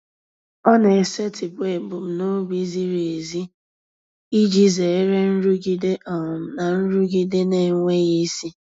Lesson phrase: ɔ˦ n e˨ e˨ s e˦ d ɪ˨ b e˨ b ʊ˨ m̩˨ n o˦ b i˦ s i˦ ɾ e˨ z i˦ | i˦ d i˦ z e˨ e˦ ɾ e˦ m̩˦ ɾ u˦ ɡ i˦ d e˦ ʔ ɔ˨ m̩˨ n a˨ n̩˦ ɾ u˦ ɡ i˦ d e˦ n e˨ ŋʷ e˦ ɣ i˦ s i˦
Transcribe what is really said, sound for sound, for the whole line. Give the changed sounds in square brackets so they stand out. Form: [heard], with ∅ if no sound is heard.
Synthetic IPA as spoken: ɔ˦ n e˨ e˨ s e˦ [t] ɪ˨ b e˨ b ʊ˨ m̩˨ n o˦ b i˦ [z] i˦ ɾ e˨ z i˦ | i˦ [d͡ʒ] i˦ z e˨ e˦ ɾ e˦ [n̩˦] ɾ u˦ ɡ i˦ d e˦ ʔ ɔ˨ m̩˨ n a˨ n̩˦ ɾ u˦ ɡ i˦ d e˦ n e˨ ŋʷ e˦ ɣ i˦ s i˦